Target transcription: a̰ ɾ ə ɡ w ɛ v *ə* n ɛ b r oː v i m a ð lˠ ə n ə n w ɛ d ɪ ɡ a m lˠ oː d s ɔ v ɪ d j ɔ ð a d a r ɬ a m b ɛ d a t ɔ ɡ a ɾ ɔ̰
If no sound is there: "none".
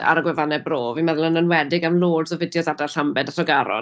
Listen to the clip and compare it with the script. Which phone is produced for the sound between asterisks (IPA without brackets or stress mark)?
a